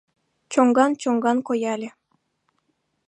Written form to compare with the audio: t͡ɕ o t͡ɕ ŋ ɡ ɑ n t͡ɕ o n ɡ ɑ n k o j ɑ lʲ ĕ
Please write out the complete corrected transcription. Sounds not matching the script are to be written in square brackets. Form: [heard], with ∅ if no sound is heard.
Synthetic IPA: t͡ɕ o [∅] ŋ ɡ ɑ n t͡ɕ o [ŋ] ɡ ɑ n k o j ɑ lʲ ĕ